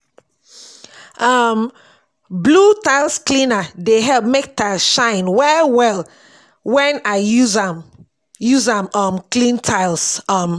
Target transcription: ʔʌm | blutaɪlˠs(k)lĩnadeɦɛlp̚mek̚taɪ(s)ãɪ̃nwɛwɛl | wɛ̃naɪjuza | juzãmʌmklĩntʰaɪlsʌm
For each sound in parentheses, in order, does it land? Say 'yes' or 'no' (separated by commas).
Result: yes, no